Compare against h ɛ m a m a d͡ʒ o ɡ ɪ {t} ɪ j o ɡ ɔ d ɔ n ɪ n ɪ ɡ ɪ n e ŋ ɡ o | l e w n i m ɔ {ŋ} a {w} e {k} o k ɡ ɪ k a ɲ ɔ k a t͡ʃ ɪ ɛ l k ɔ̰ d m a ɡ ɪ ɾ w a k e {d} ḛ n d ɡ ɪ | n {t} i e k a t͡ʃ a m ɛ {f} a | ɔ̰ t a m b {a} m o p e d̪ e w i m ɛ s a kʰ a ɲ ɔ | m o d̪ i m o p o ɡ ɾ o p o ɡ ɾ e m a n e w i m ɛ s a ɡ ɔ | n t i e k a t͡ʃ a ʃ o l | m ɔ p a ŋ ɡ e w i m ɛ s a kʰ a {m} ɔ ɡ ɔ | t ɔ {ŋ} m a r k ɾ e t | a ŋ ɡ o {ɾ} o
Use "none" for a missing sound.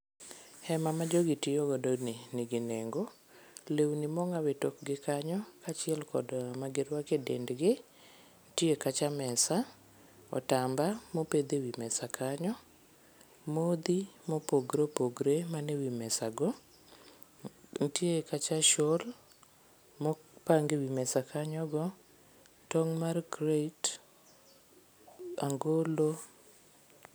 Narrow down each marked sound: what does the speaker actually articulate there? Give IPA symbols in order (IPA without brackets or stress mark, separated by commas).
t, ŋ, w, t, d, t, s, a, ɲ, ŋ, l